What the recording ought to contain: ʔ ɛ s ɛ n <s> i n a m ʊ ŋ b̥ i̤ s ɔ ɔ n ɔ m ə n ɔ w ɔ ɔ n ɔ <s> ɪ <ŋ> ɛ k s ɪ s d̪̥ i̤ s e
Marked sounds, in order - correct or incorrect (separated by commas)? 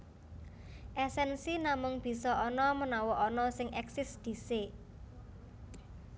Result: correct, correct, correct